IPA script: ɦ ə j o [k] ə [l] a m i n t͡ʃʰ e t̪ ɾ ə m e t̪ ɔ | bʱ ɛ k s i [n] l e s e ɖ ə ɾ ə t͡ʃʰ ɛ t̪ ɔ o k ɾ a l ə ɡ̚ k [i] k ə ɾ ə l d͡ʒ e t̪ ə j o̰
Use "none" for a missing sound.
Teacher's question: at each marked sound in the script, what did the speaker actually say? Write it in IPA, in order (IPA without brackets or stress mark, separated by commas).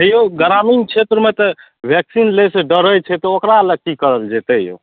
ɡ, ɾ, n, i